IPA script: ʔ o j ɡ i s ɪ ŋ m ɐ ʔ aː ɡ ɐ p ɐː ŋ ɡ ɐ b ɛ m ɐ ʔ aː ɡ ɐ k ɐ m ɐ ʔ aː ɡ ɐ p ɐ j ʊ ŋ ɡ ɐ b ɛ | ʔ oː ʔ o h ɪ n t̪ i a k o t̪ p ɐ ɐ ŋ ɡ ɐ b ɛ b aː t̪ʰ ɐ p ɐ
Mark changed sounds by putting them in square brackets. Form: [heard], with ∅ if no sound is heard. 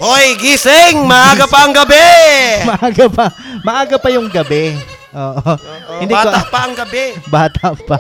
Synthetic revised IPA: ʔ o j ɡ i s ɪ ŋ m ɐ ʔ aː ɡ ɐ p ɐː ŋ ɡ ɐ b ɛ m ɐ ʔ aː ɡ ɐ [p] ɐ m ɐ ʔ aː ɡ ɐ p ɐ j ʊ ŋ ɡ ɐ b ɛ | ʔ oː ʔ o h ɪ n [d̪] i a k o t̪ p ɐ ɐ ŋ ɡ ɐ b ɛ b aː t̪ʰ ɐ p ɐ